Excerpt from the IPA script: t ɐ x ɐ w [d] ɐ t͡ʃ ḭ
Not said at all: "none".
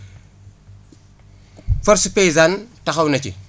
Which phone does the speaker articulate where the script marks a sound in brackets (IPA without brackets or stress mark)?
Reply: n